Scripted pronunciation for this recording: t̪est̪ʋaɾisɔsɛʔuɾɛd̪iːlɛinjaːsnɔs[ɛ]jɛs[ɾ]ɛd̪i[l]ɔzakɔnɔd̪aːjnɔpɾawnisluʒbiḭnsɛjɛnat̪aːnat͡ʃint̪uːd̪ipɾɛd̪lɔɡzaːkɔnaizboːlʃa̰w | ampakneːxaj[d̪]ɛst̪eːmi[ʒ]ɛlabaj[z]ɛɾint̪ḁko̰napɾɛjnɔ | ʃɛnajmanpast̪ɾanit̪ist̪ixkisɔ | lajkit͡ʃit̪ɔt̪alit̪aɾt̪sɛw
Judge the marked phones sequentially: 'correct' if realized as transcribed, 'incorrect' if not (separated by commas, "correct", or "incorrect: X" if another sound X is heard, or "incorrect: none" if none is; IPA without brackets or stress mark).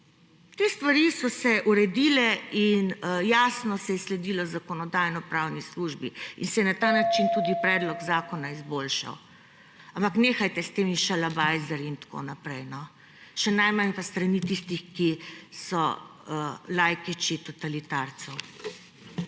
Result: correct, incorrect: l, correct, incorrect: t̪, incorrect: ʃ, correct